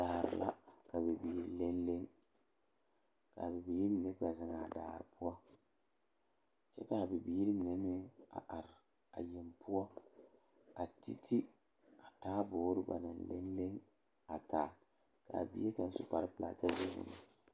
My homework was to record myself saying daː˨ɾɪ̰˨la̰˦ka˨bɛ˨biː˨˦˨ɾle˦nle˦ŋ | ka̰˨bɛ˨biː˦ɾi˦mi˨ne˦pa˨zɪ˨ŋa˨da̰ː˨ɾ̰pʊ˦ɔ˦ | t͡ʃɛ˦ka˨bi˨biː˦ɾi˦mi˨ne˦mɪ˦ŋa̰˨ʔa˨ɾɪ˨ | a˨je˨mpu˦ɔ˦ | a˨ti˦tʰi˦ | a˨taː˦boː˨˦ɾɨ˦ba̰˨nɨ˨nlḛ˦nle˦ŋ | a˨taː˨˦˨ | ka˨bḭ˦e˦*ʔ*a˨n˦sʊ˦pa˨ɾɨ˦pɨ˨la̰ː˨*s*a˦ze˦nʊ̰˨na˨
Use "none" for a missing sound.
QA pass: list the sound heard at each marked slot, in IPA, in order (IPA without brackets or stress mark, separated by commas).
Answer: k, t